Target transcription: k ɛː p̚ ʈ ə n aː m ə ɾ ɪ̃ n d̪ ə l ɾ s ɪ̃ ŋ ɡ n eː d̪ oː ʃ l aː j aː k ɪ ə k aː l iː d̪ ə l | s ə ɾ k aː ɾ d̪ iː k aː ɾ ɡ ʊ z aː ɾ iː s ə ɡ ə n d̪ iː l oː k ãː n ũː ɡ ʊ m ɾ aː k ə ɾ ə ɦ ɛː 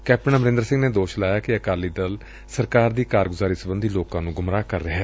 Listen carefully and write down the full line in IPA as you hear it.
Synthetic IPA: k ɛː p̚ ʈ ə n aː m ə ɾ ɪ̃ n d̪ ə ɾ s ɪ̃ ŋ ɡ n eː d̪ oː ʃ l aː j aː k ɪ ə k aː l iː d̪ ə l | s ə ɾ k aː ɾ d̪ iː k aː ɾ ɡ ʊ z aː ɾ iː s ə b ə n d̪ iː l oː k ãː n ũː ɡ ʊ m ɾ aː k ə ɾ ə ɦ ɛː